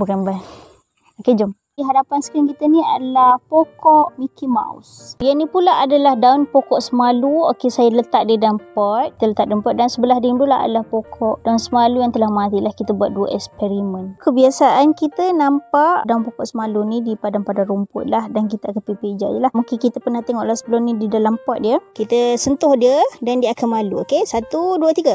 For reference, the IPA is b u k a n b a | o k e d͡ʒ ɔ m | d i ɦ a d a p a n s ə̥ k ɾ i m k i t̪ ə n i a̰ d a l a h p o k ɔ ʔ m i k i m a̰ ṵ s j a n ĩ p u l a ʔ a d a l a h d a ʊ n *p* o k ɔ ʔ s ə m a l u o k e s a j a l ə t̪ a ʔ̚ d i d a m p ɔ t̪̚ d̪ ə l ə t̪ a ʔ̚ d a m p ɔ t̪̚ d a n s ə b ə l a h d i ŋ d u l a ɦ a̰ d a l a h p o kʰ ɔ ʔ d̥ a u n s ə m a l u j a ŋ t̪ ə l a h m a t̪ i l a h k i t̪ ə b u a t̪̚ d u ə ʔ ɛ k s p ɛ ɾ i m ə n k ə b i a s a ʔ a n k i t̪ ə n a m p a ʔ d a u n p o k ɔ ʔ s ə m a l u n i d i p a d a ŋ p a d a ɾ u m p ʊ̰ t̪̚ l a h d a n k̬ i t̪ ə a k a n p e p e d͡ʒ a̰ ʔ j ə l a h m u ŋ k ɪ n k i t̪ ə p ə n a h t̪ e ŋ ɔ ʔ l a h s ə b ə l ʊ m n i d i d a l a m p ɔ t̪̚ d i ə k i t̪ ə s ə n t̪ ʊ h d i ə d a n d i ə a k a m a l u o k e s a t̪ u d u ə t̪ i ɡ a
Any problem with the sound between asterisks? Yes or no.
no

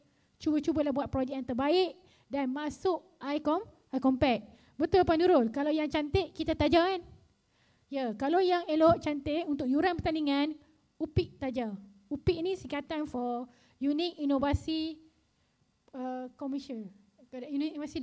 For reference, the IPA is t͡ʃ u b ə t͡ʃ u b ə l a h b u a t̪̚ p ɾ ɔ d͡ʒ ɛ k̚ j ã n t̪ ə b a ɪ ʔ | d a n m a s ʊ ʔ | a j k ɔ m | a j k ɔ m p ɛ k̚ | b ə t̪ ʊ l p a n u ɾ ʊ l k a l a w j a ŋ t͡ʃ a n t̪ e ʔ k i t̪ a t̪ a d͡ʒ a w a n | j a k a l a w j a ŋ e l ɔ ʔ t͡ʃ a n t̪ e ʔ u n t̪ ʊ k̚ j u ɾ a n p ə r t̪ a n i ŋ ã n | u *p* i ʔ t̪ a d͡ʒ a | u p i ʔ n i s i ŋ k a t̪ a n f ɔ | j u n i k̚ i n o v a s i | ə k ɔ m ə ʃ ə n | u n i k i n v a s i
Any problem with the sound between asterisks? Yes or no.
no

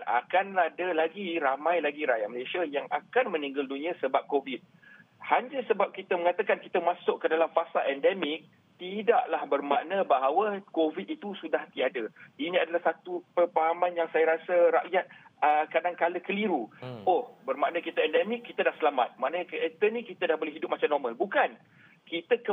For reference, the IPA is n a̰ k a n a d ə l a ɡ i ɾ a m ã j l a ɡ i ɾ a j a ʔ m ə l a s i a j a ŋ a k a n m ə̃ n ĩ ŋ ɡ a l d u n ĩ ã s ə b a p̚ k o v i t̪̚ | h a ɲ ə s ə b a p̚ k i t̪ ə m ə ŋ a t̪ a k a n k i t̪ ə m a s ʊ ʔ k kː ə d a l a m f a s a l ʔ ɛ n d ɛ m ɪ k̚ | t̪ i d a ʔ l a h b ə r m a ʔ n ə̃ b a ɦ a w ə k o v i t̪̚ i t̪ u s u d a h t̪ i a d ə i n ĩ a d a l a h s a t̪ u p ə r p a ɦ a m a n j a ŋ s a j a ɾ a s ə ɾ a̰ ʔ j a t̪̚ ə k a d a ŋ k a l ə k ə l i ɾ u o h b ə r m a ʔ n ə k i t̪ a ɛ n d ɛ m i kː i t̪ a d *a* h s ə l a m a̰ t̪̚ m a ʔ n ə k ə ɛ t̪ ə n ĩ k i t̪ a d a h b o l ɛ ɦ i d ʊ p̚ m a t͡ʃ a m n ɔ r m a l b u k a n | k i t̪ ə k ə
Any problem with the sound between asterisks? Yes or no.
no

